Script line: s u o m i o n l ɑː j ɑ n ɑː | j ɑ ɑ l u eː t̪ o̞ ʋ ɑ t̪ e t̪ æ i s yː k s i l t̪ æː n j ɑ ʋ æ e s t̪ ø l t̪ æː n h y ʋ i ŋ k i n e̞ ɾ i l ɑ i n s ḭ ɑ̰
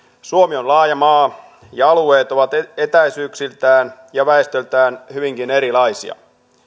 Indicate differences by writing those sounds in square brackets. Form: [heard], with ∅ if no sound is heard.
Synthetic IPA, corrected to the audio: s u o m i o n l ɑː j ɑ [m] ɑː | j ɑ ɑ l u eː t̪ o̞ ʋ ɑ t̪ e t̪ æ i s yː k s i l t̪ æː n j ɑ ʋ æ e s t̪ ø l t̪ æː n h y ʋ i ŋ k i n e̞ ɾ i l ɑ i [∅] s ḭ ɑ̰